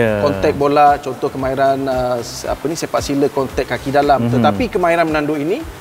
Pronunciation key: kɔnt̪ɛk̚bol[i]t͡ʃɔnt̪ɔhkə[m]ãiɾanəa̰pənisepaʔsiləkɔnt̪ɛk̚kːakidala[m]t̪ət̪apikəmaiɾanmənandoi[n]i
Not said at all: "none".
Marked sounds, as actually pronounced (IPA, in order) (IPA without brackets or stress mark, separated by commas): a, m, m, n